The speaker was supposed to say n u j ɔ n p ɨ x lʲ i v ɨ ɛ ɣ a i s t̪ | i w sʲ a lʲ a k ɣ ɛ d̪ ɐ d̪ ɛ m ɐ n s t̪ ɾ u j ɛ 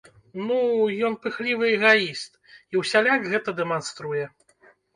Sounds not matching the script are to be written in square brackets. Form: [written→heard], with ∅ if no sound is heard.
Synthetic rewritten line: n u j ɔ n p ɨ x lʲ i v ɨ ɛ ɣ a i s t̪ | i w sʲ a lʲ a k ɣ ɛ [d̪→t̪] ɐ d̪ ɛ m [ɐ→a] n s t̪ ɾ u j ɛ

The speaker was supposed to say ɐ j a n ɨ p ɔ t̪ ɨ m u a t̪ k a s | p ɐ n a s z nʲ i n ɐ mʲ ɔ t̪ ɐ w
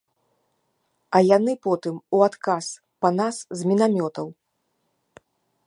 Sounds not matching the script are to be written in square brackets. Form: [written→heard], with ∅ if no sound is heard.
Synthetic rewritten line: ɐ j a n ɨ p ɔ t̪ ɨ m u a t̪ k a s | p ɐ n a s z [nʲ→mʲ] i n [ɐ→a] mʲ ɔ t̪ ɐ w

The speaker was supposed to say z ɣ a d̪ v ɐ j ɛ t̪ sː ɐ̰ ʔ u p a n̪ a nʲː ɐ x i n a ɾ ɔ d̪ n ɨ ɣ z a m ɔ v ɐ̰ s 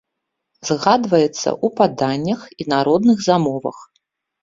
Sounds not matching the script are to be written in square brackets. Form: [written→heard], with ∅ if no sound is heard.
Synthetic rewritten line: z ɣ a d̪ v ɐ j ɛ t̪ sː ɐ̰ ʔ u p a [n̪→d̪] a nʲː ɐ x i n a ɾ ɔ d̪ n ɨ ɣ z a m ɔ v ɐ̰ [s→x]

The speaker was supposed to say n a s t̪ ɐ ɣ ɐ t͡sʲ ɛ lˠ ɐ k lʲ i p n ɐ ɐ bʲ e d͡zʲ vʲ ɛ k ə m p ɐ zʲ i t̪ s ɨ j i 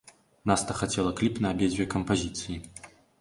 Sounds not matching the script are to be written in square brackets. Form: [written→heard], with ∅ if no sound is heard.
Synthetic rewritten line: n a s t̪ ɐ [ɣ→x] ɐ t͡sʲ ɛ lˠ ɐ k lʲ i p n ɐ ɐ bʲ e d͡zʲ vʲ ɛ k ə m p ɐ zʲ i t̪ s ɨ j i

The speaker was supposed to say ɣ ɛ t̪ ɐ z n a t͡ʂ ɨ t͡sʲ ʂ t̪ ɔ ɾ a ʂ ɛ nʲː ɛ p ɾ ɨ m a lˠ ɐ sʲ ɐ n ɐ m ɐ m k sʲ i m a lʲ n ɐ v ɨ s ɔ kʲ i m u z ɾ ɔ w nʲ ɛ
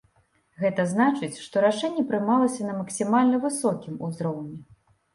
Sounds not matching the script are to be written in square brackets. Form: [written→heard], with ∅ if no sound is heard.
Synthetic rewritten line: ɣ ɛ t̪ ɐ z n a t͡ʂ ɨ t͡sʲ ʂ t̪ ɔ ɾ a ʂ ɛ nʲː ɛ p ɾ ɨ m a lˠ ɐ sʲ ɐ n ɐ m ɐ [m→∅] k sʲ i m a lʲ n ɐ v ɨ s ɔ kʲ i m u z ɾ ɔ w nʲ ɛ

